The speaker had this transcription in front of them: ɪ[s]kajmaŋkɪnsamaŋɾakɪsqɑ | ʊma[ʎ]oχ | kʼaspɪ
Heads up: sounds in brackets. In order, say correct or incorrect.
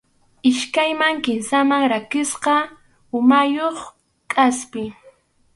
incorrect: ʃ, incorrect: j

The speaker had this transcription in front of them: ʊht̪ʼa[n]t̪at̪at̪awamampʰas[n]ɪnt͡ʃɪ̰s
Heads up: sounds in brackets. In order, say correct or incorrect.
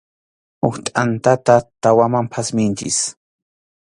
correct, incorrect: m

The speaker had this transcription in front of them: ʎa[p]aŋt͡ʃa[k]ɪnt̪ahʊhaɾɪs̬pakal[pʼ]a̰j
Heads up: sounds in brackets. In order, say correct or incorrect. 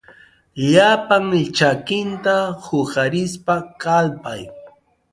correct, correct, incorrect: p

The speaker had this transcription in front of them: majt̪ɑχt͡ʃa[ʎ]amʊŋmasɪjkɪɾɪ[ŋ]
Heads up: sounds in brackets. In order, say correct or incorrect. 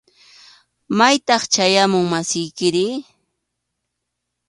incorrect: j, incorrect: none

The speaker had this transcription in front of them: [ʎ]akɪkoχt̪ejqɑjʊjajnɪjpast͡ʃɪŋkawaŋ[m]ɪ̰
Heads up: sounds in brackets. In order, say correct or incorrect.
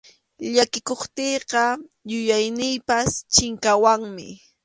correct, correct

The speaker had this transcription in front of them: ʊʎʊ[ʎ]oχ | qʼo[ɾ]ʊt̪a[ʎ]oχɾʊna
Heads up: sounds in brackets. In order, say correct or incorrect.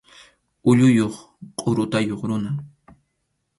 incorrect: j, correct, incorrect: j

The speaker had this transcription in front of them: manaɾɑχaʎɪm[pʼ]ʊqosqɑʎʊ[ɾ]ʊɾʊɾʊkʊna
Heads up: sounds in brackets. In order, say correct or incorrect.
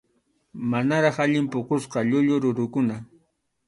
incorrect: p, incorrect: ʎ

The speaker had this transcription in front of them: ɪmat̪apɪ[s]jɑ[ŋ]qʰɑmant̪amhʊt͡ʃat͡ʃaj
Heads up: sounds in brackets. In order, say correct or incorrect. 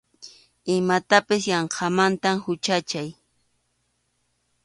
correct, incorrect: ɴ

